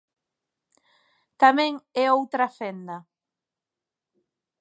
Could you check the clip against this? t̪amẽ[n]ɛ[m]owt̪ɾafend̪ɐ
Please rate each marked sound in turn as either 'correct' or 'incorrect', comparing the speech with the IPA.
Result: incorrect: ŋ, incorrect: none

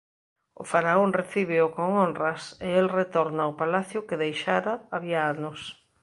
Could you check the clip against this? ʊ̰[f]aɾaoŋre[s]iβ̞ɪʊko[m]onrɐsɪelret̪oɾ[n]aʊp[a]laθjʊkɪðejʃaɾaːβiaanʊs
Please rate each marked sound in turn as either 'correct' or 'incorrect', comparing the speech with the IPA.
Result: correct, incorrect: θ, incorrect: ŋ, correct, correct

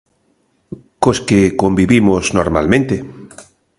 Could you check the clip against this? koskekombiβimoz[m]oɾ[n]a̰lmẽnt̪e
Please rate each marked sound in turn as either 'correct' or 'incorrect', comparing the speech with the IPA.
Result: incorrect: n, incorrect: m

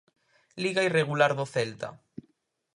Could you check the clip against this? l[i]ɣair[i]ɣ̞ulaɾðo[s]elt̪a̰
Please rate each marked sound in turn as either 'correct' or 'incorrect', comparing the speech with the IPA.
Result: correct, incorrect: e, incorrect: θ

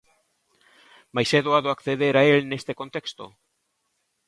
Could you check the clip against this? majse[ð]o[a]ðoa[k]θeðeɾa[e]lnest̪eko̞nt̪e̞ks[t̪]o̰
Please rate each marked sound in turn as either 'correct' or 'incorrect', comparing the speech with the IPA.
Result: correct, correct, correct, correct, correct

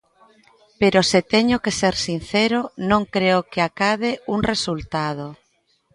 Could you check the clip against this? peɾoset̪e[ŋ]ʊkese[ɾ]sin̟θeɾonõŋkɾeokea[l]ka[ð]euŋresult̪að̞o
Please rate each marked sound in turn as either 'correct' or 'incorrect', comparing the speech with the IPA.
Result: incorrect: ɲ, correct, incorrect: none, correct

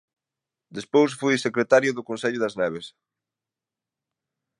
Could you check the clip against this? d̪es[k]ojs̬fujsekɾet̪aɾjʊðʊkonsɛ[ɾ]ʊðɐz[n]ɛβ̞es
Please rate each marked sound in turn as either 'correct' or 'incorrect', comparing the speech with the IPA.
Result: incorrect: p, incorrect: ʎ, correct

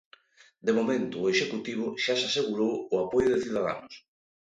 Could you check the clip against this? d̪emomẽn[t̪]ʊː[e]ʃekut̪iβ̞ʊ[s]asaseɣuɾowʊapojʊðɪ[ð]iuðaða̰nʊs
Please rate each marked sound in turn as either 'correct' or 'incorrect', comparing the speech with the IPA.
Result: correct, correct, incorrect: ʃ, incorrect: θ

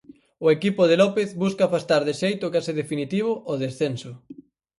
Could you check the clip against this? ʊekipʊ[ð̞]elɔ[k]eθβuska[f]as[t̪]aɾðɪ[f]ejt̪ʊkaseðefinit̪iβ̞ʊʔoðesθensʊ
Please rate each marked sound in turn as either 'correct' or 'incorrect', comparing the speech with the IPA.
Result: correct, incorrect: p, correct, correct, incorrect: ʃ

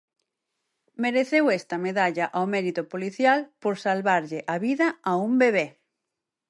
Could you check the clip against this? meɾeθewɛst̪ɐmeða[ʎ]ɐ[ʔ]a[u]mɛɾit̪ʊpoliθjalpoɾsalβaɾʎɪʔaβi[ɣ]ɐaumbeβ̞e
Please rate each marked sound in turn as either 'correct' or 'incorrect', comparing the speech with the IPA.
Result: correct, correct, incorrect: w, incorrect: ð

